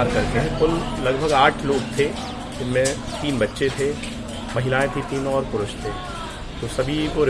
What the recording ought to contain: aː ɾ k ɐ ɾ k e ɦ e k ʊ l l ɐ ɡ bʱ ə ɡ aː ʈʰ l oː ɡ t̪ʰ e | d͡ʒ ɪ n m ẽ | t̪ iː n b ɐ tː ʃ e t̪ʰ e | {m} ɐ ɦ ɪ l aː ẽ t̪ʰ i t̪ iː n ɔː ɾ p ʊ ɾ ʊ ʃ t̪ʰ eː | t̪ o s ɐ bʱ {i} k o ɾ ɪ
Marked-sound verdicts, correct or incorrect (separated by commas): correct, correct